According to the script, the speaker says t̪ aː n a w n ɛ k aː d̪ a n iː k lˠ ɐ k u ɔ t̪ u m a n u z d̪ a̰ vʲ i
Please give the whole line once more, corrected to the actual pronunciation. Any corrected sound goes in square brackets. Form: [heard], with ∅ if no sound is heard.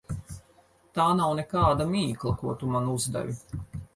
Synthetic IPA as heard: t̪ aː n a w n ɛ k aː d̪ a [m] iː k lˠ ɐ k u ɔ t̪ u m a n u z d̪ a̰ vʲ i

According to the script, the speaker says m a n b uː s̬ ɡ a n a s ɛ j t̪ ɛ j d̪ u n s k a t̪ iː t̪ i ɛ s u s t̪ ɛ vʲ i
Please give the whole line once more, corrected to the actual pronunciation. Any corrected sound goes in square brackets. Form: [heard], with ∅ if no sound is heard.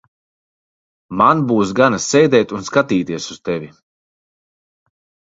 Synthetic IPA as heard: m a n b uː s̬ ɡ a n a s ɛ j [d̪] ɛ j [t̪] u n s k a t̪ iː t̪ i ɛ s u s t̪ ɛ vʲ i

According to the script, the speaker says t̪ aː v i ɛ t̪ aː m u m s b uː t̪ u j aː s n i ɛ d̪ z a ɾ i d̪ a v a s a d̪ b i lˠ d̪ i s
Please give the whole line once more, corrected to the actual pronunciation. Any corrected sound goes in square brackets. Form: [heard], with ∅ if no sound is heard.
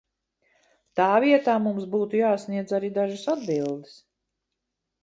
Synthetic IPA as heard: t̪ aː v i ɛ t̪ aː m u m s b uː t̪ u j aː s n i ɛ d̪ z a ɾ i d̪ a [ʒ] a s a d̪ b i lˠ d̪ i s

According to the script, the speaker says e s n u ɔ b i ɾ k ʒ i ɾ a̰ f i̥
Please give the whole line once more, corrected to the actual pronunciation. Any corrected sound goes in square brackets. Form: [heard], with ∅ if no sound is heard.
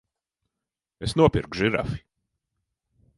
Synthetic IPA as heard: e s n u ɔ [p] i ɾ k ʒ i ɾ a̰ f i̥

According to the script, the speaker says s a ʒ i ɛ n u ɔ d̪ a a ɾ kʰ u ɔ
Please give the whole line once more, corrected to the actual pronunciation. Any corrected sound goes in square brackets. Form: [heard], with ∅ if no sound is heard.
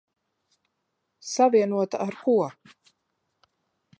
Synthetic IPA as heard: s a [v] i ɛ n u ɔ [t̪] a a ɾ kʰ u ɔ

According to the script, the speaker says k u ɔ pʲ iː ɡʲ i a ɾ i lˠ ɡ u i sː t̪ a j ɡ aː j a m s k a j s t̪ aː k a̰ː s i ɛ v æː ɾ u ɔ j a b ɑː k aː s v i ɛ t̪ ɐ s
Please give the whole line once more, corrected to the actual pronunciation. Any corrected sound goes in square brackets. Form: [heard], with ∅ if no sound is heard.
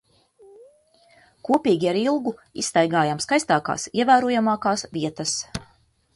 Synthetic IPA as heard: k u ɔ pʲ iː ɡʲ i a ɾ i lˠ ɡ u i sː t̪ a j ɡ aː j a m s k a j s t̪ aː k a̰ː s i ɛ v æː ɾ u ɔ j a [m] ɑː k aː s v i ɛ t̪ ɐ s

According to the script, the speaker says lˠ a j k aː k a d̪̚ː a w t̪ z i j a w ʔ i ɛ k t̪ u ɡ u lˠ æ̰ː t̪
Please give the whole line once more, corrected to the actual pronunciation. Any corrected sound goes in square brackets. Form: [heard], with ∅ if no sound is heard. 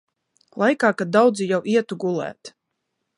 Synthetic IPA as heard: lˠ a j k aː k a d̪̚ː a w [d̪] z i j a w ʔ i ɛ [∅] t̪ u ɡ u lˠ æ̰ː t̪

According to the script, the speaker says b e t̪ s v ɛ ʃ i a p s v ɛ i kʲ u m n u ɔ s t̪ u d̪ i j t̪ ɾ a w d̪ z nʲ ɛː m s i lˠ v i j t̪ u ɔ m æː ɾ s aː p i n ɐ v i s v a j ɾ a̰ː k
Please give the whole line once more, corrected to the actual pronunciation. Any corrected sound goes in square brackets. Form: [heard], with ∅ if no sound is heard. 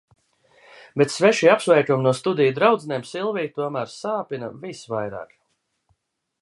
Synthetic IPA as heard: b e t̪ s v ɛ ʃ i a p s v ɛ [j] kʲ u m n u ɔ s t̪ u d̪ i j [d̪] ɾ a w d̪ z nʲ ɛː m s i lˠ v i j t̪ u ɔ m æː ɾ s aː p i n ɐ v i s v a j ɾ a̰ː k

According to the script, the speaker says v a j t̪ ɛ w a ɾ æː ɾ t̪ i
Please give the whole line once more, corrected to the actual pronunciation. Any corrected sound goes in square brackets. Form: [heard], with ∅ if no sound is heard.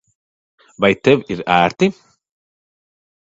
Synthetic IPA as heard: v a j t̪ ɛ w [i] ɾ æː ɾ t̪ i

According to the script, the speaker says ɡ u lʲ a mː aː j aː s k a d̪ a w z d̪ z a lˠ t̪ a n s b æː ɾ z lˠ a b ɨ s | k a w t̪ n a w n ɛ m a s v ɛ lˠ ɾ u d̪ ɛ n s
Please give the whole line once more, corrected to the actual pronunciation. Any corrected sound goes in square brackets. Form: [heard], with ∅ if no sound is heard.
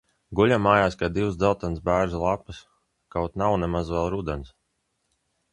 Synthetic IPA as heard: ɡ u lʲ a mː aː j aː s k a d̪ [i] w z d̪ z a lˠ t̪ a n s b æː ɾ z lˠ a [p] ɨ s | k a w t̪ n a w n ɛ m a [z] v ɛ lˠ ɾ u d̪ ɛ n s

